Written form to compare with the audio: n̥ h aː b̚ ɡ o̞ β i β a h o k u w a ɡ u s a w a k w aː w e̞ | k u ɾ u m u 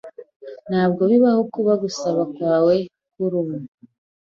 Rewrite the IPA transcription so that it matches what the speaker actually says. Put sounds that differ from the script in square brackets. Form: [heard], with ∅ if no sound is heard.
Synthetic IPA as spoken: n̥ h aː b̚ ɡ o̞ β i β a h o k u [β] a ɡ u s a [β] a k w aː w e̞ | k u ɾ u m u